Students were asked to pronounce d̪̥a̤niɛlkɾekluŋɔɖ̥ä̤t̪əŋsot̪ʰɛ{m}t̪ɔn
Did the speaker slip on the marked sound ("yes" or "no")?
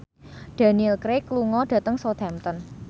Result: no